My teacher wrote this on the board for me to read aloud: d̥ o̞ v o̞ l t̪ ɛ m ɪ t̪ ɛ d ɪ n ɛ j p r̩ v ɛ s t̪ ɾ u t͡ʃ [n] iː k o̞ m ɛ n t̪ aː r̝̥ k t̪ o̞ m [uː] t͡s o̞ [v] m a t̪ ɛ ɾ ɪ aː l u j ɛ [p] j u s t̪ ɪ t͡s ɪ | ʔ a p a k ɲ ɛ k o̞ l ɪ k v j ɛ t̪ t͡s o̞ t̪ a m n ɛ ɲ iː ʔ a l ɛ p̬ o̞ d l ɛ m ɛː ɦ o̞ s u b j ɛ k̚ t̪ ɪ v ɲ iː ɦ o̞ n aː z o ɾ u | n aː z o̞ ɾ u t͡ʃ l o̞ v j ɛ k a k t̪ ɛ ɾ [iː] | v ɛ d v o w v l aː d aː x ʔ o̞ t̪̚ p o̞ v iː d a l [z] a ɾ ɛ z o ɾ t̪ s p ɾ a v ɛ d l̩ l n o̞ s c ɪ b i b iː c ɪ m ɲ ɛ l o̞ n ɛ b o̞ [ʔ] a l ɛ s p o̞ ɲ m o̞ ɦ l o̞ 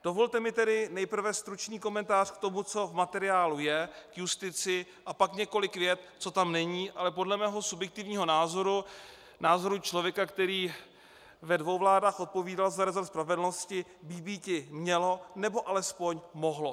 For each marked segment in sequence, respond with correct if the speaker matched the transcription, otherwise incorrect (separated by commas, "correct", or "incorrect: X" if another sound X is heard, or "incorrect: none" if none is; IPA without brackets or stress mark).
correct, incorrect: u, correct, incorrect: k, correct, correct, correct